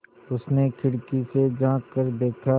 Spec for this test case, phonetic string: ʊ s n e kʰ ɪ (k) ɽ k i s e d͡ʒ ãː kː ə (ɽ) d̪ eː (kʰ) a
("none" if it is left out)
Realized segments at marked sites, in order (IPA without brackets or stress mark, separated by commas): none, ɾ, kʰ